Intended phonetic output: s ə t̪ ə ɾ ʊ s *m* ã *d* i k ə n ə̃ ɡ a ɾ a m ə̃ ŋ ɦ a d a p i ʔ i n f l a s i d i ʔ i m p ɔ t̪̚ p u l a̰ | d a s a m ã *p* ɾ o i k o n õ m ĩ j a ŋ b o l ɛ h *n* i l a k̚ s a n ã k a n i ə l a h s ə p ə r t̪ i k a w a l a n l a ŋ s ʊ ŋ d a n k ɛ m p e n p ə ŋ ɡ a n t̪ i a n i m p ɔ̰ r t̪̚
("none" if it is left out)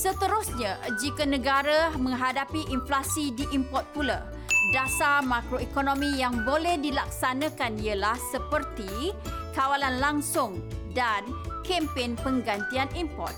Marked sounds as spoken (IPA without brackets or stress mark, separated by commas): ɲ, d͡ʒ, k, d